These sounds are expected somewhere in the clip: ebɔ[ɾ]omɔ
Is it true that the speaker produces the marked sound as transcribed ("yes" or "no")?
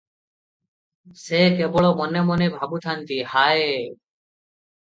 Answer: no